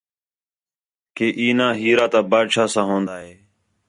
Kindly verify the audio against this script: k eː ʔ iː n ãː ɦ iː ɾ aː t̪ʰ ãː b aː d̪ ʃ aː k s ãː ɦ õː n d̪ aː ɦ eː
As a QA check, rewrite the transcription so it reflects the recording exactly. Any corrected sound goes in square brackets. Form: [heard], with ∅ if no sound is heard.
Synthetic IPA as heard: k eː ʔ iː n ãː ɦ iː ɾ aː [t̪] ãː b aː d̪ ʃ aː [∅] s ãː ɦ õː n d̪ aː ɦ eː